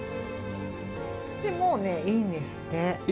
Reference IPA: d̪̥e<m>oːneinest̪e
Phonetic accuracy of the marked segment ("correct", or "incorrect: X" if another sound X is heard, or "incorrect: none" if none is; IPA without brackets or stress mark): correct